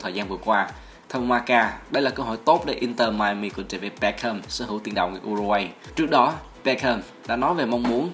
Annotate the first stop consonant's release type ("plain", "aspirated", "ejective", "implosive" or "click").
aspirated